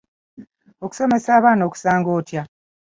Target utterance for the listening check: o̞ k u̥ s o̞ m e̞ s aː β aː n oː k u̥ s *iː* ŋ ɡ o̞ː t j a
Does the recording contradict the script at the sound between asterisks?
yes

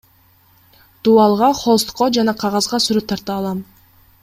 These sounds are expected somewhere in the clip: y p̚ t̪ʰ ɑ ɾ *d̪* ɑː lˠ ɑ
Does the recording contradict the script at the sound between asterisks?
yes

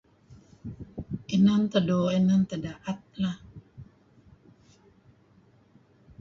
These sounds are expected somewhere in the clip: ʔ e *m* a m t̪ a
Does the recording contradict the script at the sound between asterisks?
yes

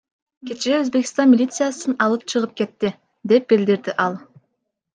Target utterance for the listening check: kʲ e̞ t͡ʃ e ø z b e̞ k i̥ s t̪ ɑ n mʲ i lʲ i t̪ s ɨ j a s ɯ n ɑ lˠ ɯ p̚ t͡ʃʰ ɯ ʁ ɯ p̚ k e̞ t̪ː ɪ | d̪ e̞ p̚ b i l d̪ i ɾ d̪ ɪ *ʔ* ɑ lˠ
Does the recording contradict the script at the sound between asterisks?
no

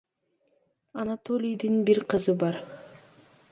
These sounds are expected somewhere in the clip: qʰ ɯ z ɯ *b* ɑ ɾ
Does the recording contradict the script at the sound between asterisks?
no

